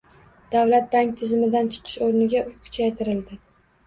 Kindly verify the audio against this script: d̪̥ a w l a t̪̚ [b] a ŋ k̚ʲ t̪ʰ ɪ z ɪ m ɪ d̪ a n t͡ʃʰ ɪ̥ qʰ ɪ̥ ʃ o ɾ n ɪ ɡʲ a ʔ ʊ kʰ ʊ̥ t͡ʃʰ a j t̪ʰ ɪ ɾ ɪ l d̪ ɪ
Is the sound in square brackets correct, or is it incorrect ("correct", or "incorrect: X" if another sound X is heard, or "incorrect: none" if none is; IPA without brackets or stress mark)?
correct